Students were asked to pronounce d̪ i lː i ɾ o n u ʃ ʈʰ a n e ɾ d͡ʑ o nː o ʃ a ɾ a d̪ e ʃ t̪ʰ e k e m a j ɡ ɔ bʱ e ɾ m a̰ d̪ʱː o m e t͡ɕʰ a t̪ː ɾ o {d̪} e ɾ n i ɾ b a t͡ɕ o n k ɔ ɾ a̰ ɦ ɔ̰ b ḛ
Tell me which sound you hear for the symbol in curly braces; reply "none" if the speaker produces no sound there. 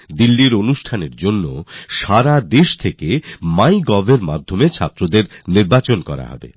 d̪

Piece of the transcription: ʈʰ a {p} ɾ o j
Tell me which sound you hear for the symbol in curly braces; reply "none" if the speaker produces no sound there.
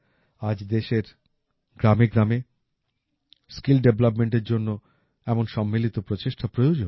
p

